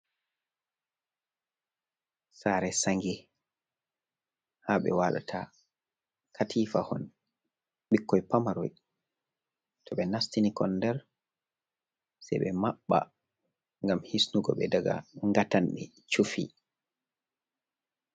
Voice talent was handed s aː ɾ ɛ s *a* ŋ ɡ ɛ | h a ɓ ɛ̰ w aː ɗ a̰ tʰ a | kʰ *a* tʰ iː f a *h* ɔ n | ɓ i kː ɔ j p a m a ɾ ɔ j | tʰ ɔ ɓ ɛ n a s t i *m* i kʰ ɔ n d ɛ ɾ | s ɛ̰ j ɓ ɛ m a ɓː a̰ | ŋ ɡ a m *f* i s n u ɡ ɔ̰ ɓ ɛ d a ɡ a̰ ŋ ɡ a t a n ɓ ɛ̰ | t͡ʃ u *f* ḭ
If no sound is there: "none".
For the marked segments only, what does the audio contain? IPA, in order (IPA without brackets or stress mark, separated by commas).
a, a, h, n, h, f